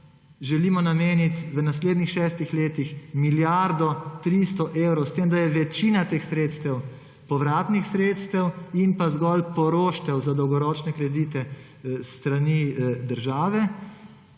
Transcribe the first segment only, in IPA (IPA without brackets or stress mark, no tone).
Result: ʒ